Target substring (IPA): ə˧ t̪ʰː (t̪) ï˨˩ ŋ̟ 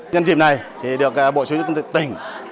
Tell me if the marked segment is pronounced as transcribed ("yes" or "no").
yes